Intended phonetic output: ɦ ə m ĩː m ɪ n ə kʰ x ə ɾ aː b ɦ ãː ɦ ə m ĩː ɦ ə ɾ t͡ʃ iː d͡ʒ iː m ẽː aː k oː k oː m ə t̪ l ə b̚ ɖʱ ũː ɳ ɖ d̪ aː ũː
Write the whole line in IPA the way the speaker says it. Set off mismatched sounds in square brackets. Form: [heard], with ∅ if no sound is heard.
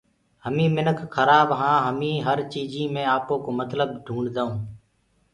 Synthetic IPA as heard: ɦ ə m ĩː m ɪ n ə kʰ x ə ɾ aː b ɦ ãː ɦ ə m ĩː ɦ ə ɾ t͡ʃ iː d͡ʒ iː m ẽː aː [p] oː k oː m ə t̪ l ə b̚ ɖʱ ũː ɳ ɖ d̪ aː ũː